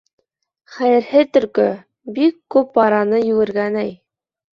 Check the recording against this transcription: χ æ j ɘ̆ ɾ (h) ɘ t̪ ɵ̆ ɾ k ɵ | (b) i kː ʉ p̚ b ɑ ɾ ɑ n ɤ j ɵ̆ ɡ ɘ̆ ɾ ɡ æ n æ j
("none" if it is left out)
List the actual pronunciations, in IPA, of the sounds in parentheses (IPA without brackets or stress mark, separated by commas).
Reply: h, b